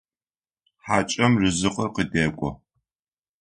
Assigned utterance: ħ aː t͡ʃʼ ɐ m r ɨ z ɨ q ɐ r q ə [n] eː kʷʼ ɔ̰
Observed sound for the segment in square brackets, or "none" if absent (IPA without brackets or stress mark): d